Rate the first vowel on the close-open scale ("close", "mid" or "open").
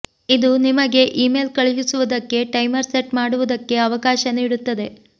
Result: close